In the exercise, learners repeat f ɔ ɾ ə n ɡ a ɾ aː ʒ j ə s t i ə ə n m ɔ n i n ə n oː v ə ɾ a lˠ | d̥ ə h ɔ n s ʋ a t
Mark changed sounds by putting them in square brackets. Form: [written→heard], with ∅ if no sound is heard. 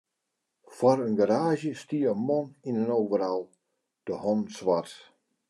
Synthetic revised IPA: f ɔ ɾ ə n ɡ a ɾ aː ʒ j ə s t i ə ə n m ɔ n i n ə n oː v ə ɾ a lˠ | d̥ ə h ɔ n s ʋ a t